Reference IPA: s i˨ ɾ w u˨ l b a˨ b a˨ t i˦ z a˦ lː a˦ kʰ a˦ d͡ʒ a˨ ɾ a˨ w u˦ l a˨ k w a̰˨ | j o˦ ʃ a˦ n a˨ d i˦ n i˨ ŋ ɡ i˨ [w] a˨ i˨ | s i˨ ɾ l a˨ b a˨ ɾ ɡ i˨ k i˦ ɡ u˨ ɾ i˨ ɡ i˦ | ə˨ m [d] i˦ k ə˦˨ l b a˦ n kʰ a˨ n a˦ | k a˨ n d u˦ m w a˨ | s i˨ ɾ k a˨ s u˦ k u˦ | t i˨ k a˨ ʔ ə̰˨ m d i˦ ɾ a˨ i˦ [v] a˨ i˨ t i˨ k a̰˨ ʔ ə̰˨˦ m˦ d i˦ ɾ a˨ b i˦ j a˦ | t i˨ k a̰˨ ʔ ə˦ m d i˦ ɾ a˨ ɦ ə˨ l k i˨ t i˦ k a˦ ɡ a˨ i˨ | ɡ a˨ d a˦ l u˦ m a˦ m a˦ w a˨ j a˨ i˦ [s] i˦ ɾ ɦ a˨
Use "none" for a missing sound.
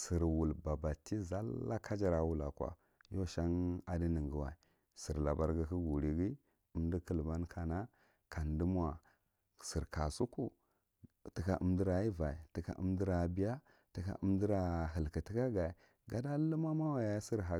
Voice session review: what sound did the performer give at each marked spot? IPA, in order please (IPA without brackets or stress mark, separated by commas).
w, d, v, s